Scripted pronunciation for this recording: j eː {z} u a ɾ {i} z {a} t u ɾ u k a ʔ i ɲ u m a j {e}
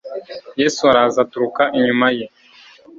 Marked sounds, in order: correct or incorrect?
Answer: incorrect: s, incorrect: a, correct, correct

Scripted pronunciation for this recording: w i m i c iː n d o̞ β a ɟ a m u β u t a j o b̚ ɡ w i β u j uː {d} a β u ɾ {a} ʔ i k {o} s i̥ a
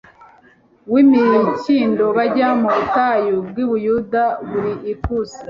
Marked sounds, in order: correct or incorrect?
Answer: correct, incorrect: i, incorrect: u

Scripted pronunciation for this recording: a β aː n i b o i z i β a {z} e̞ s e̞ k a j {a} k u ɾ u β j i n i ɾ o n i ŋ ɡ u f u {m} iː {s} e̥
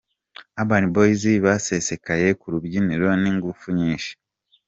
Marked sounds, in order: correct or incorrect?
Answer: incorrect: s, incorrect: e, incorrect: ɲ, incorrect: ʃ

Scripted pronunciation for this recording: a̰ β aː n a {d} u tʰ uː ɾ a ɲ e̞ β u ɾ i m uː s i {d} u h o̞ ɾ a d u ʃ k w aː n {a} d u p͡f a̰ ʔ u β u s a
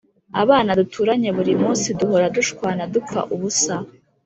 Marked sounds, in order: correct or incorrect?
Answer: correct, correct, correct

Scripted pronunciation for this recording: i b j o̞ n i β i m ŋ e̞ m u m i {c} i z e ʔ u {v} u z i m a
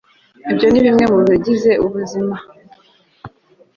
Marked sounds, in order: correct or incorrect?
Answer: incorrect: ɟ, incorrect: β

